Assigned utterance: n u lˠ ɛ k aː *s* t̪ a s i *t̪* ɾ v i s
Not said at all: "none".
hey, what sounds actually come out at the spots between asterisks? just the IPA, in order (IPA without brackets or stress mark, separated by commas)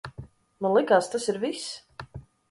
s, none